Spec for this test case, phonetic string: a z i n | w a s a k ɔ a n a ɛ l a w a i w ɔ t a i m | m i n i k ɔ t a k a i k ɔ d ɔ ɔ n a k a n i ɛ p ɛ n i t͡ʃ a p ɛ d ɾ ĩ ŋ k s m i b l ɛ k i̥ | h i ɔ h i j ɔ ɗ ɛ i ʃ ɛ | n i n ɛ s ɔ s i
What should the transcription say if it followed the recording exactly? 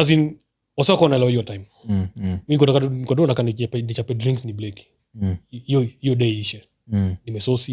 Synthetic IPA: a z i n | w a s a k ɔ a n a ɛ l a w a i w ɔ t a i m | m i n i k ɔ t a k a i k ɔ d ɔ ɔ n a k a n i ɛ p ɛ n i t͡ʃ a p ɛ d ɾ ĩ ŋ k s n i b l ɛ k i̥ | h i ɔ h i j ɔ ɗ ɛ i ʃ ɛ | n i m ɛ s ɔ s i